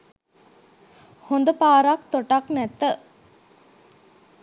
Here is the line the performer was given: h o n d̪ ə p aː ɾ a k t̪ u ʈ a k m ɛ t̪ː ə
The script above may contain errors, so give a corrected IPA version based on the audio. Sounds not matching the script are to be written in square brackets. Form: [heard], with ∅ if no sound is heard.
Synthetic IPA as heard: h o n d̪ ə p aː ɾ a k t̪ [o] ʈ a k [n] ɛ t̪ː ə